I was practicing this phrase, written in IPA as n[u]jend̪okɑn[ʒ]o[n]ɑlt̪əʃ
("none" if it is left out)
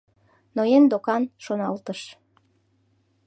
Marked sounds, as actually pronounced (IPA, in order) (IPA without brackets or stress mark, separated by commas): o, ʃ, n